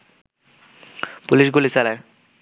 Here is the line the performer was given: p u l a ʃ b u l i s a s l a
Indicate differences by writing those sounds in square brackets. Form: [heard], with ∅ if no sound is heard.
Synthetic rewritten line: p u l [i] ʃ [ɡ] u l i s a [∅] l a